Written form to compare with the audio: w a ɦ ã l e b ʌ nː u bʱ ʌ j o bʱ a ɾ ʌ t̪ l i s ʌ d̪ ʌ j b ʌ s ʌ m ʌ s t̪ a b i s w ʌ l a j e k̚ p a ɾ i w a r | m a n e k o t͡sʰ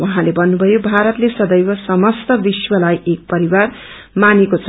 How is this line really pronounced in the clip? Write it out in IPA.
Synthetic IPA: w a ɦ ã l e b ʌ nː u bʱ ʌ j o bʱ a ɾ ʌ t̪ l e s ʌ d̪ ʌ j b ʌ s ʌ m ʌ s t̪ ʌ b i s w ʌ l a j e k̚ p ʌ ɾ i w a r | m a n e k o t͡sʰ